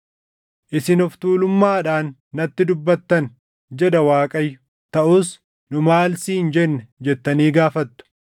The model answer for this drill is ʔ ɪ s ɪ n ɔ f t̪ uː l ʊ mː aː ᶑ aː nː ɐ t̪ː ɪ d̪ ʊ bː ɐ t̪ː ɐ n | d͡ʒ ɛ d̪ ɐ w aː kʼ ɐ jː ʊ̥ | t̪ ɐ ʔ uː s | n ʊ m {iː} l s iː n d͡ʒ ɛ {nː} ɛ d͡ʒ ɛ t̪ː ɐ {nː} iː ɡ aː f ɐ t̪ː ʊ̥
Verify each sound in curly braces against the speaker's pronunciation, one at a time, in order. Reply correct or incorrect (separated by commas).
incorrect, correct, incorrect